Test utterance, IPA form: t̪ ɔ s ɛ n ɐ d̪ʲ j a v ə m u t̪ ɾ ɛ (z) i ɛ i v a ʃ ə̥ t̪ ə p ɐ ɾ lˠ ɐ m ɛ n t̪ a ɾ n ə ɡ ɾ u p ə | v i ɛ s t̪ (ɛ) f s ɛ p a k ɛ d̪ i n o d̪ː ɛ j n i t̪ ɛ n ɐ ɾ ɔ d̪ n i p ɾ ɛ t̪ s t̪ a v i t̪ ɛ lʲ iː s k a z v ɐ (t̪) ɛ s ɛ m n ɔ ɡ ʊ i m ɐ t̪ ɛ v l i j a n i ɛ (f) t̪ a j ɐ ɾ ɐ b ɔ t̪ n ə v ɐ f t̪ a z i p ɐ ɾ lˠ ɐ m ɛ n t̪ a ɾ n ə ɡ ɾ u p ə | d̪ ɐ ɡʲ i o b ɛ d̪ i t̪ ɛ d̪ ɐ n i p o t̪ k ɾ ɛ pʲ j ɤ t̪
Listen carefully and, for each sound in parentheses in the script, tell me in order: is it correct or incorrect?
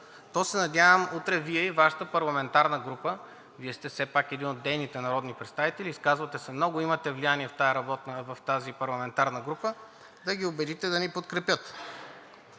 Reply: incorrect, correct, correct, correct

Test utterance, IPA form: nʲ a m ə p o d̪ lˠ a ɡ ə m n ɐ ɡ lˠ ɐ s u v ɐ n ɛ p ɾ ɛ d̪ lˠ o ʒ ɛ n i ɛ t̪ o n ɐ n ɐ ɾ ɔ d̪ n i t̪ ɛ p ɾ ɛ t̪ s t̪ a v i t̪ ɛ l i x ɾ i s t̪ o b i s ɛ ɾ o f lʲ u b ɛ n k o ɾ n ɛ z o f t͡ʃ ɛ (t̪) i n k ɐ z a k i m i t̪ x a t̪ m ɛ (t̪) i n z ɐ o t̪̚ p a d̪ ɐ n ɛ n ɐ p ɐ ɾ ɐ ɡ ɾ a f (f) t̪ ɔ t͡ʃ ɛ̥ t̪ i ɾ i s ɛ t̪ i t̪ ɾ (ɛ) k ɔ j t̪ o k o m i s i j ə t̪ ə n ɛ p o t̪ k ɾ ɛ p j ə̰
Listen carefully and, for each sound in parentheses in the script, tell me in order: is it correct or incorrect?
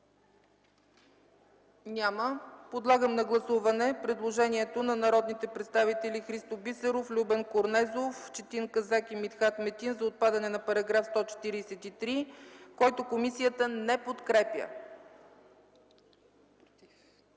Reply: correct, correct, incorrect, incorrect

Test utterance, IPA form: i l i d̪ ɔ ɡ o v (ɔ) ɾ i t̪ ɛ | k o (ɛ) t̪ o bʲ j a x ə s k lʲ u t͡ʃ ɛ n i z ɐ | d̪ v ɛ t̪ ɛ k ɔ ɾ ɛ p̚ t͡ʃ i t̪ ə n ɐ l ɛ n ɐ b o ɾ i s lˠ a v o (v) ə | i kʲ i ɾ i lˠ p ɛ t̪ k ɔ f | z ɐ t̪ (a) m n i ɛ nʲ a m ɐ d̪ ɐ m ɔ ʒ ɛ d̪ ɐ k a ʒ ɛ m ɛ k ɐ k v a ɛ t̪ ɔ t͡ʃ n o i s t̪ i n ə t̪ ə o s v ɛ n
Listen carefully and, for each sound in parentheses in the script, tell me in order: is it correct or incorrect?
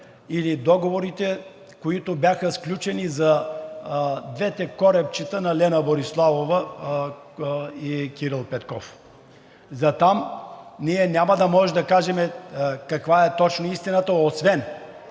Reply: incorrect, incorrect, correct, correct

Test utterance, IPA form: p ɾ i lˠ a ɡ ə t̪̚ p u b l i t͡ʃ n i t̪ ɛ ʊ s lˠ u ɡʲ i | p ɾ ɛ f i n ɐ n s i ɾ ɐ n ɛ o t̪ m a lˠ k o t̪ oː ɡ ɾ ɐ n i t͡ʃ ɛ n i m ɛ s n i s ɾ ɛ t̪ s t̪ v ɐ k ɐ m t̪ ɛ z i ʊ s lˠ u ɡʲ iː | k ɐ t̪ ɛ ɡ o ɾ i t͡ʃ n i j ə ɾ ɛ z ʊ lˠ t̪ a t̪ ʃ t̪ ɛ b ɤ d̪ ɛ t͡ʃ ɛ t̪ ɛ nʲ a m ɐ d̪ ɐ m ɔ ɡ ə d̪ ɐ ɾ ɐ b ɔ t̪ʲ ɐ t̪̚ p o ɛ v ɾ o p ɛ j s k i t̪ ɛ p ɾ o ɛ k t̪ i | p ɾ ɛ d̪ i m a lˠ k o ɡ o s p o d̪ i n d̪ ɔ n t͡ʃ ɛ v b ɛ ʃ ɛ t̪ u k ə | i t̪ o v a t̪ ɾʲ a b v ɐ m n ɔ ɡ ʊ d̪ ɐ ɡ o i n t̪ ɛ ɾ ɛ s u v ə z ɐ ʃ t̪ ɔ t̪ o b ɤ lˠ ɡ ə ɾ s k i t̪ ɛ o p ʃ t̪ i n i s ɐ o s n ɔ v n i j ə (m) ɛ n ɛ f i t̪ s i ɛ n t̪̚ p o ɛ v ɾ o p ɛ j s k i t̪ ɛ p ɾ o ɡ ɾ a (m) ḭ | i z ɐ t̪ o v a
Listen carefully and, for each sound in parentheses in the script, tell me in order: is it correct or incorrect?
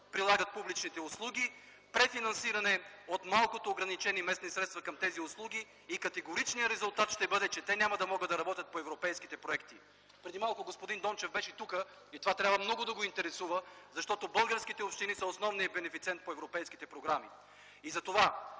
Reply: incorrect, correct

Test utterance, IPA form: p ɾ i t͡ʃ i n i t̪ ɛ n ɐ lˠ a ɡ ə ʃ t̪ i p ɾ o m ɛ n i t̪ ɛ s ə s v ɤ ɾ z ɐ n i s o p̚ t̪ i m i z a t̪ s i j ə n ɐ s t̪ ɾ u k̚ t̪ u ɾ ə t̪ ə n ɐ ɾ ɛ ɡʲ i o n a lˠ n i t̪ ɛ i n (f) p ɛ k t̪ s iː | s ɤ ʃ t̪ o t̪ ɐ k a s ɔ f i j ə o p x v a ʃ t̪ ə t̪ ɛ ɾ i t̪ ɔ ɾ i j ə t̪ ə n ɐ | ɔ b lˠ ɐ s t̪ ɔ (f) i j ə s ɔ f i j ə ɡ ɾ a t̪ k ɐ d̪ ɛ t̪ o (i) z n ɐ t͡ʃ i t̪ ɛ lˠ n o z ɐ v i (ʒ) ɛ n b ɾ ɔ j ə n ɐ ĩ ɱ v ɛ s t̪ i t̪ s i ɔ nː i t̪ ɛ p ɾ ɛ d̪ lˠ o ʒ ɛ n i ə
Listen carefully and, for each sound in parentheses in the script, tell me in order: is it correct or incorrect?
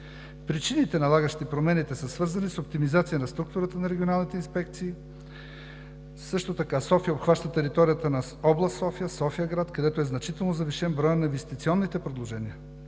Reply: incorrect, correct, incorrect, incorrect

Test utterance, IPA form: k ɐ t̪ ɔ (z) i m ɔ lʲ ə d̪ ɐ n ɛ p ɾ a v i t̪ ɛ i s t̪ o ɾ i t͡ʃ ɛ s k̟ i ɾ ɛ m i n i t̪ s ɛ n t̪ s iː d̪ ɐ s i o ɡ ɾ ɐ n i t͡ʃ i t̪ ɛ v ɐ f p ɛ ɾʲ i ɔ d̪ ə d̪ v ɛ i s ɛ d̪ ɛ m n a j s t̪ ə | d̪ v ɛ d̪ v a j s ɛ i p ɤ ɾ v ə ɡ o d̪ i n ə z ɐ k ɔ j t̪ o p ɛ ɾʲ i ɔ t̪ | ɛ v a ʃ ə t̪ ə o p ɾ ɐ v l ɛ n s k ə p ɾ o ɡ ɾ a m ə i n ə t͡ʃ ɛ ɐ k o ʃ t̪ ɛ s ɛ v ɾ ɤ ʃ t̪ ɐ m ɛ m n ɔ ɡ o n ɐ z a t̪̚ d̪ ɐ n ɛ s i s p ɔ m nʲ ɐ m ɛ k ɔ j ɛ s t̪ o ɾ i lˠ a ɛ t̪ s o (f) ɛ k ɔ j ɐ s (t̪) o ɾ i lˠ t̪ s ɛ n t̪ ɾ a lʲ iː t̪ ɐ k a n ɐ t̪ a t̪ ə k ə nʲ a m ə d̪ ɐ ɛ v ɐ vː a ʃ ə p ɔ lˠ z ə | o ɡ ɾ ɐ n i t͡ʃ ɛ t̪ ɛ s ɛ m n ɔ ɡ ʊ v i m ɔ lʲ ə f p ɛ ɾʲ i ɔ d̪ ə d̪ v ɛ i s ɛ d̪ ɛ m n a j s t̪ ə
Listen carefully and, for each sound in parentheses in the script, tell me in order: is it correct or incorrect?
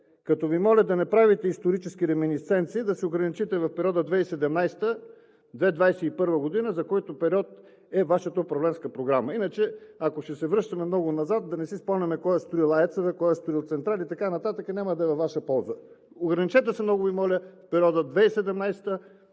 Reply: incorrect, incorrect, correct

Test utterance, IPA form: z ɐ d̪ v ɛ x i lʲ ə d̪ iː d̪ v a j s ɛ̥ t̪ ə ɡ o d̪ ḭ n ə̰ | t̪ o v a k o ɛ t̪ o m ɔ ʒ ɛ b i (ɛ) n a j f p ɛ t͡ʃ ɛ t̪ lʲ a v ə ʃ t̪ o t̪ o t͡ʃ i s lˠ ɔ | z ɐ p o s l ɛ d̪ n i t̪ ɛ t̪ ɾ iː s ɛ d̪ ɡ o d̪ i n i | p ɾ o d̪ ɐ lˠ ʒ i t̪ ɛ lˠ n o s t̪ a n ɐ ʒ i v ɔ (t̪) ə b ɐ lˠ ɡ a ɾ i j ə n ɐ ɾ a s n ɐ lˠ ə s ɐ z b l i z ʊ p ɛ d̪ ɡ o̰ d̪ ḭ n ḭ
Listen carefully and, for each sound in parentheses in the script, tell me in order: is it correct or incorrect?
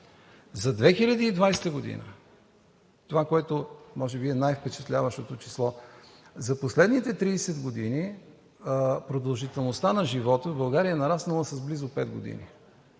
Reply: correct, correct

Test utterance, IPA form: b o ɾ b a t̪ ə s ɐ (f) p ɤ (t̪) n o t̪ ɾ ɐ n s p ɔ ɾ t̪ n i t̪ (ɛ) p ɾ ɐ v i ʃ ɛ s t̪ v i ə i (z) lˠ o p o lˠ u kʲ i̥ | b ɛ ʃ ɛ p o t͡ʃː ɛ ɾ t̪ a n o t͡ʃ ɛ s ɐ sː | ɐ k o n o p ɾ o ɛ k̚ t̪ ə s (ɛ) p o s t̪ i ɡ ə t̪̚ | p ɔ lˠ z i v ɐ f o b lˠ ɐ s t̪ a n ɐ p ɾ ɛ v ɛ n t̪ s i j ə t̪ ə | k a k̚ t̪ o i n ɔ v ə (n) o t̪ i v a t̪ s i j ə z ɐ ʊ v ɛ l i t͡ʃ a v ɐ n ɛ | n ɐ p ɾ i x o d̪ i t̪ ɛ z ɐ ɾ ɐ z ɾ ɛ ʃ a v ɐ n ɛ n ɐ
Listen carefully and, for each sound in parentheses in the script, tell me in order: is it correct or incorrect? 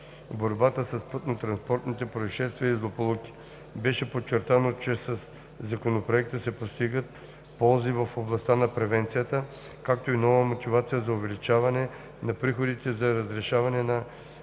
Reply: incorrect, correct, correct, correct, correct, incorrect

